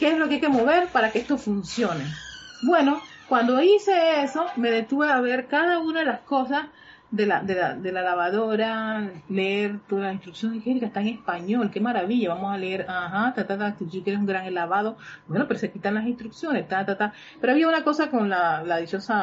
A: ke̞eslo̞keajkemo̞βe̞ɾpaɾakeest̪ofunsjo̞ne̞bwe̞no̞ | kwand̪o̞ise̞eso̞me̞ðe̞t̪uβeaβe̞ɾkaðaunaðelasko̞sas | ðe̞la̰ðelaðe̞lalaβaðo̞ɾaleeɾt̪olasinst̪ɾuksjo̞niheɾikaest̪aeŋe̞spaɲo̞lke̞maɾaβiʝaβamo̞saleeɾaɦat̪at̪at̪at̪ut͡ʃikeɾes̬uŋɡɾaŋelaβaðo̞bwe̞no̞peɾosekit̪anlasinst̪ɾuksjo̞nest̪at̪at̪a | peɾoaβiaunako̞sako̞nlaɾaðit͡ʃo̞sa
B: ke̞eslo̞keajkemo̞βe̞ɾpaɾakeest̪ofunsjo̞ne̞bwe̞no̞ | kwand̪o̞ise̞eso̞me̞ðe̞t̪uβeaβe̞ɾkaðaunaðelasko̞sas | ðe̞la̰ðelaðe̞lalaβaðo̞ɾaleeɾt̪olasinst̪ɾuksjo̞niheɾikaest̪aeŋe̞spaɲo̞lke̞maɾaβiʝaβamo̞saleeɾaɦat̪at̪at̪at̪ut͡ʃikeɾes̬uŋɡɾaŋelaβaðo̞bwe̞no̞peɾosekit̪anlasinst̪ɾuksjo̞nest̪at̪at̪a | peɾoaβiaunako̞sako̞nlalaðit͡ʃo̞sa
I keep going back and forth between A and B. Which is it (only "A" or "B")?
B